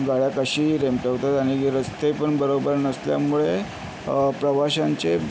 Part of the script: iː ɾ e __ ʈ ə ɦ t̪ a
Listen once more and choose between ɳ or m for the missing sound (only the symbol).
m